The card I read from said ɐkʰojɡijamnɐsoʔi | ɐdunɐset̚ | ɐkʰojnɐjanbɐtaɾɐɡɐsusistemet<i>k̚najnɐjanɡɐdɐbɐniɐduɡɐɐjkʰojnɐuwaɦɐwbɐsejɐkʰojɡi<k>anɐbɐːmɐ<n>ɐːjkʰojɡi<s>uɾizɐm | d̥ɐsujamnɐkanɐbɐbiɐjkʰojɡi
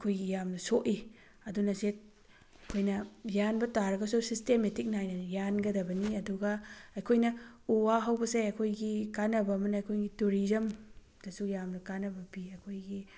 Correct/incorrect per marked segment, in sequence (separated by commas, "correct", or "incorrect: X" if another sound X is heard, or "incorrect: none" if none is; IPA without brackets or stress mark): correct, correct, correct, incorrect: t